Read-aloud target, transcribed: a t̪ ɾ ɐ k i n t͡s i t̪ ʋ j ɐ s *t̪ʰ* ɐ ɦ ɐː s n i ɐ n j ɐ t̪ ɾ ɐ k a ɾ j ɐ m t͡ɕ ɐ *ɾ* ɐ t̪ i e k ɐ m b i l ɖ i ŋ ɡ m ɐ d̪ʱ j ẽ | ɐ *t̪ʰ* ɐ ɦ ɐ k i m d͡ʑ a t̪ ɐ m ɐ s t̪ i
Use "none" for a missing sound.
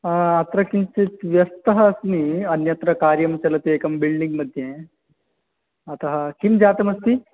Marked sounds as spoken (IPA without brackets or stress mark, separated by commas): t̪, l, t̪